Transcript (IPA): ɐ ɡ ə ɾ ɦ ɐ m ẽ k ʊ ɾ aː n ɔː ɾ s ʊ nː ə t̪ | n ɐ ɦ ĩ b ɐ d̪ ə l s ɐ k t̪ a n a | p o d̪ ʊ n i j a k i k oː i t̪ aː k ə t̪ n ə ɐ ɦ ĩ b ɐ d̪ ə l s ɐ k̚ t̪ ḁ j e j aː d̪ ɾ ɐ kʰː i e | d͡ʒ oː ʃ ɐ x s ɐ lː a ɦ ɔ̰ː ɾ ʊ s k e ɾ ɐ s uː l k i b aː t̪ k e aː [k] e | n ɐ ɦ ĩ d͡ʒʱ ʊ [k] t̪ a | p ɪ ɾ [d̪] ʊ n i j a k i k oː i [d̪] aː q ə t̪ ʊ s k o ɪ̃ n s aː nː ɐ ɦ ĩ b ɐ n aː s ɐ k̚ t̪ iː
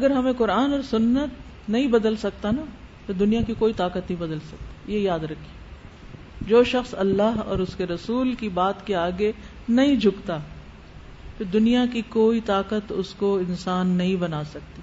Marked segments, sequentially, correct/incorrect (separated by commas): incorrect, correct, correct, incorrect